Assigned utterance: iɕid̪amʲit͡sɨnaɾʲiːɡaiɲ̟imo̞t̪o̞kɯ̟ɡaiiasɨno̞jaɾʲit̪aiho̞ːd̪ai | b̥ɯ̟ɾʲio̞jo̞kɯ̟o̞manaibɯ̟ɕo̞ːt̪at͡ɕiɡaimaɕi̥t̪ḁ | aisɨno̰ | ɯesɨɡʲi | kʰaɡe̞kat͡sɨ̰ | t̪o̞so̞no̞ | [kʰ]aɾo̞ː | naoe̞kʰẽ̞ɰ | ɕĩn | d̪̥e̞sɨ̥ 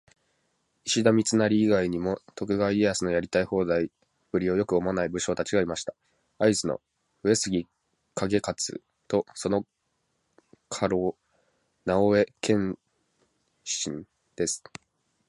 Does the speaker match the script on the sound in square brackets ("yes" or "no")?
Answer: yes